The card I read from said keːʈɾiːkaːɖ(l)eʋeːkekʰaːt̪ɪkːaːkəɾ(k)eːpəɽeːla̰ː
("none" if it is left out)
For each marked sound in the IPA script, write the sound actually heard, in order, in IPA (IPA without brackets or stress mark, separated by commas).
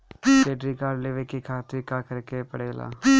l, k